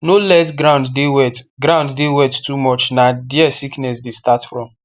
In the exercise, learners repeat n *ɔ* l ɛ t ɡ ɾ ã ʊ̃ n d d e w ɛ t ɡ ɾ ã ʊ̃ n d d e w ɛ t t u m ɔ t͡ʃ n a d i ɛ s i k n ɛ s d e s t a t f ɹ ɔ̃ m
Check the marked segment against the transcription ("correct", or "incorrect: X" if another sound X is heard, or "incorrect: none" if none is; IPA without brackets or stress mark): incorrect: o